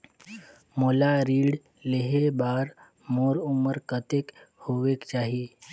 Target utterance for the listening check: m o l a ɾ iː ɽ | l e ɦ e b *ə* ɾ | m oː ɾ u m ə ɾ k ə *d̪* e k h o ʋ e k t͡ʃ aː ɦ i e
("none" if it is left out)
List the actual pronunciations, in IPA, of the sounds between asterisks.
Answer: a, t̪

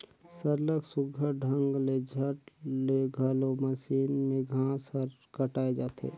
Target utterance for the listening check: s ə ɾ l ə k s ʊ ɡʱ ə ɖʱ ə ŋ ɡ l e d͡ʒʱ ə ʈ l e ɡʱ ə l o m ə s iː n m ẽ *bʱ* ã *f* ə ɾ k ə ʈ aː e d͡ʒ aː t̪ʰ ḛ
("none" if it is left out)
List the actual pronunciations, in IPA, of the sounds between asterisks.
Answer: ɡʱ, s

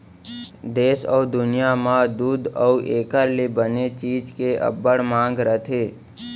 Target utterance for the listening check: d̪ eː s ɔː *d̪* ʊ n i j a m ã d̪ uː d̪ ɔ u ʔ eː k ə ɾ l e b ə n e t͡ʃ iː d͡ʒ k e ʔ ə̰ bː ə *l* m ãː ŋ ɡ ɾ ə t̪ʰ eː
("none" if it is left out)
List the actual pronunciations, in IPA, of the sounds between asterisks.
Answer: d̪, ɽ

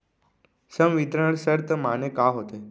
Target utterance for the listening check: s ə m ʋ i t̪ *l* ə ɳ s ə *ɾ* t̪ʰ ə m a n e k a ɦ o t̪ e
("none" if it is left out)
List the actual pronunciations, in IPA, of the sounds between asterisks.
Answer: ɾ, ɾ

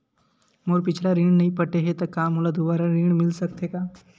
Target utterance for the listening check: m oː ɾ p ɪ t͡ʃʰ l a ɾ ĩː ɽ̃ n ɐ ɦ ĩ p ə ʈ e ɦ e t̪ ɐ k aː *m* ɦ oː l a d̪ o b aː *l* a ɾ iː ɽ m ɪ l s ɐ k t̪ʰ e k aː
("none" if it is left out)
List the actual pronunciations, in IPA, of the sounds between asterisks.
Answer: m, ɾ

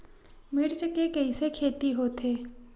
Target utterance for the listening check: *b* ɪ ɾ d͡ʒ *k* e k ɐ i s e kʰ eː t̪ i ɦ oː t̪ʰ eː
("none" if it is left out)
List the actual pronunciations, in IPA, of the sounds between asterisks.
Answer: m, k

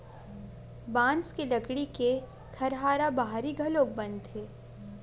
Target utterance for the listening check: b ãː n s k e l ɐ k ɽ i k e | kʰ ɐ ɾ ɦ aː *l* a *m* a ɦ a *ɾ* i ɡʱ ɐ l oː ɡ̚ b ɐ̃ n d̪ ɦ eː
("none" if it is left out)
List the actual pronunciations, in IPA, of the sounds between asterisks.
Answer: ɾ, b, ɾ

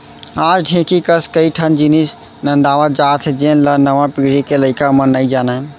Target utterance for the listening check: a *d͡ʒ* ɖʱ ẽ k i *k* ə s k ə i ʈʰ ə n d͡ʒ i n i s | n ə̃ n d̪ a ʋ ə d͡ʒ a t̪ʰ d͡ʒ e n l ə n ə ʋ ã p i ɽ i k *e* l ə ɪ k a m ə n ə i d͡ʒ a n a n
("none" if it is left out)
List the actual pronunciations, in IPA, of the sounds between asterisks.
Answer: d͡ʒ, k, e

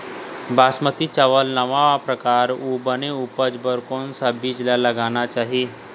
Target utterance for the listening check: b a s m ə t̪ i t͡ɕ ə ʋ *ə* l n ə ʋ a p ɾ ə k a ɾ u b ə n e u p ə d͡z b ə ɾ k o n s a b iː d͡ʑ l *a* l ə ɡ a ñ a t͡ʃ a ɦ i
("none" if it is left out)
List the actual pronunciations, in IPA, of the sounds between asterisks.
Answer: ə, a

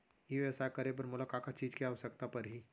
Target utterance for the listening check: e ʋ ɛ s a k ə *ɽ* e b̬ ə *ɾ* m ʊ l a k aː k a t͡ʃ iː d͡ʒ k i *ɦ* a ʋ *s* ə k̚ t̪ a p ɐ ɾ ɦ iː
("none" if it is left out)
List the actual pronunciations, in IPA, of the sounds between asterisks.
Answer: ɾ, ɾ, none, s

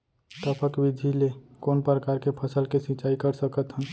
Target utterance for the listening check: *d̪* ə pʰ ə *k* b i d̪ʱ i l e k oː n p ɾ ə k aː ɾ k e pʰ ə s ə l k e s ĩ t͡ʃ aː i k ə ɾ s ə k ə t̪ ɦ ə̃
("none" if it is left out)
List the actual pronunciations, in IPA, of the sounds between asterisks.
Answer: t̪, k

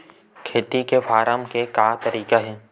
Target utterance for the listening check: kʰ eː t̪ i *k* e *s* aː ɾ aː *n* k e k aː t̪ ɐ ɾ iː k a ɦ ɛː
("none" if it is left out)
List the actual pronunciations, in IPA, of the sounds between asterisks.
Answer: k, f, m

